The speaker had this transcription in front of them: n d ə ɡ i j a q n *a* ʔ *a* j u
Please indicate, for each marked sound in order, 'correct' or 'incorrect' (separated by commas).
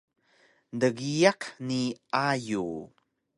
incorrect, correct